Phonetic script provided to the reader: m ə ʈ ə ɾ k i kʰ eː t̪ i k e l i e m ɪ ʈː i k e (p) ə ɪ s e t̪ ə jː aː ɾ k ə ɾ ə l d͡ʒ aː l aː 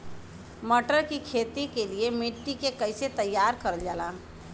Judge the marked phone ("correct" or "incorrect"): incorrect